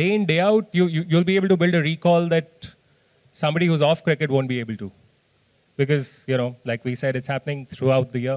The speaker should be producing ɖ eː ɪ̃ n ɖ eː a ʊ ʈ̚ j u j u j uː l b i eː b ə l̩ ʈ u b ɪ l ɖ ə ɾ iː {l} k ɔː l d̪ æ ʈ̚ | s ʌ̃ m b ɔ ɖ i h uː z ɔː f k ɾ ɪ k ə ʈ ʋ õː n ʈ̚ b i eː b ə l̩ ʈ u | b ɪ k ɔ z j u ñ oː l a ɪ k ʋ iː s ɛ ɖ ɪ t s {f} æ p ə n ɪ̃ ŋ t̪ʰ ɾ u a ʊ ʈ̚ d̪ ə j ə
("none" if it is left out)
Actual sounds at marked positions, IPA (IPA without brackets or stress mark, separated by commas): none, h